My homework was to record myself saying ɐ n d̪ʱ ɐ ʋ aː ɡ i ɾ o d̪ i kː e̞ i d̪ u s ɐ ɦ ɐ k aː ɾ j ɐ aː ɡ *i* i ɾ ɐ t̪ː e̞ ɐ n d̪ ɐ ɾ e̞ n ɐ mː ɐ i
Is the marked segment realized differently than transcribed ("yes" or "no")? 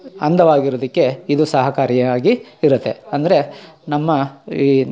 no